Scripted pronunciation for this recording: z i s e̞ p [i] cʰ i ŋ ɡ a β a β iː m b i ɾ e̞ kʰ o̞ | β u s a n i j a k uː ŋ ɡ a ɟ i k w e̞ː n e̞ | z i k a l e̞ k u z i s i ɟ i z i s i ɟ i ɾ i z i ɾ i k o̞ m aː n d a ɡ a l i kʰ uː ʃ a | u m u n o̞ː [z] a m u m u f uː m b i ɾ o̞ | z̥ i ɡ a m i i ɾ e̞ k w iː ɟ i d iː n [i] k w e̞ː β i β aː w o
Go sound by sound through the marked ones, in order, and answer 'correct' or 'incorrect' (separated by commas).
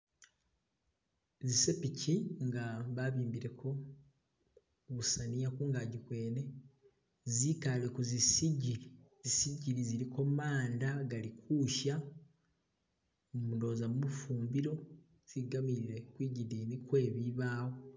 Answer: correct, correct, correct